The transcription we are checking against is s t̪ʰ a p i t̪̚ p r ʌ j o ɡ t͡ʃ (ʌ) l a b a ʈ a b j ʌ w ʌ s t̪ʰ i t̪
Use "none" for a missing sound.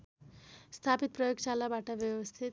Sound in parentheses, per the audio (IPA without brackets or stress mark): a